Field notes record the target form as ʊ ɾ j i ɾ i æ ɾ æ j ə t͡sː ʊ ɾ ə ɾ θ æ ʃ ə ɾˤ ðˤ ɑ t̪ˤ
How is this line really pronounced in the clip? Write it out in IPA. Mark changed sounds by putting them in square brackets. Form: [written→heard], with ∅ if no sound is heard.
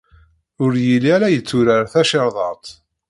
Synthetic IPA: ʊ ɾ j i [ɾ→l] i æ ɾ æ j ə t͡sː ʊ ɾ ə ɾ θ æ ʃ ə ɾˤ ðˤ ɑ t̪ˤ